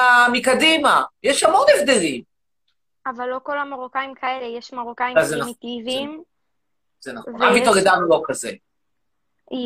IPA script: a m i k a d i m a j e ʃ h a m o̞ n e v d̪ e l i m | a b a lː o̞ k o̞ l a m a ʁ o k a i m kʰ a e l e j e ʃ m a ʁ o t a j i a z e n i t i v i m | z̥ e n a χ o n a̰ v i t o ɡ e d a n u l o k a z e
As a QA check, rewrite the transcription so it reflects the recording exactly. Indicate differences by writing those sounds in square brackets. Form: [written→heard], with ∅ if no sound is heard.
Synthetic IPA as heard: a m i k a d i m a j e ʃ h a m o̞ n e v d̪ e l i m | a [b→v] a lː o̞ k o̞ l a m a ʁ o k a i m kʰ a e l e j e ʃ m a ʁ o [t→k] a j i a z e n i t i v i m | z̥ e n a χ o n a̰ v i t o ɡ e d a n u l o k a z e